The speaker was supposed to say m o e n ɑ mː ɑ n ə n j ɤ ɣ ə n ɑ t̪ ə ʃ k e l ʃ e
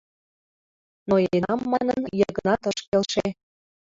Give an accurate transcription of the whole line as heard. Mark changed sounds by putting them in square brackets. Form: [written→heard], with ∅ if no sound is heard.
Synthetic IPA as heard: [m→n] o e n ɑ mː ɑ n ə n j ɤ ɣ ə n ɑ t̪ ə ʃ k e l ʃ e